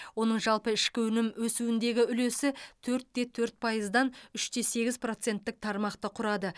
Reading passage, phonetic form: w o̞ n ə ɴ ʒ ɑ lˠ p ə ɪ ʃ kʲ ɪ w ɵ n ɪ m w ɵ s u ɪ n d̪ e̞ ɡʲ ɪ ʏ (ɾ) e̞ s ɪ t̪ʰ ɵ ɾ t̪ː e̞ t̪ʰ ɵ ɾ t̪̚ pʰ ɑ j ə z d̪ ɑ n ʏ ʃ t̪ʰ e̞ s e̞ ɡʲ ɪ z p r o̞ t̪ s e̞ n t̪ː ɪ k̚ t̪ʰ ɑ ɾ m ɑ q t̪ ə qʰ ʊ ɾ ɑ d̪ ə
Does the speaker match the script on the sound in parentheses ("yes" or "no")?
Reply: no